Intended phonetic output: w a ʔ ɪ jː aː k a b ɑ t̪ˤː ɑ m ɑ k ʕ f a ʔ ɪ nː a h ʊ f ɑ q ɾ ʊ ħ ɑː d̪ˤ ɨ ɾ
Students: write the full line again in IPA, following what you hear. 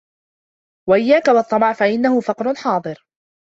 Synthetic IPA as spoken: w a ʔ ɪ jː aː k a w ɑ t̪ˤː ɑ m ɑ ʕ f a ʔ ɪ nː a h ʊ f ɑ q ɾ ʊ ħ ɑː d̪ˤ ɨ ɾ